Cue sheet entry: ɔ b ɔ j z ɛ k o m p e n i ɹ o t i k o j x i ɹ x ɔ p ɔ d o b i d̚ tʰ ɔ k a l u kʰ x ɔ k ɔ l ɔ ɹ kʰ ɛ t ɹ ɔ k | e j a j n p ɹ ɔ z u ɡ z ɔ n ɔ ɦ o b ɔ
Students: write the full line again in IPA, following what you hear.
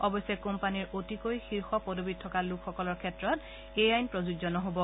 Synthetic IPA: ɔ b ɔ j s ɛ k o m p a n i ɹ o t i k o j x i ɹ x ɔ p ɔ d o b i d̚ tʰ ɔ k a l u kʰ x ɔ k ɔ l ɔ ɹ kʰ ɛ t ɹ ɔ t | e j a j n p ɹ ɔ z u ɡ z ɔ n ɔ ɦ o b ɔ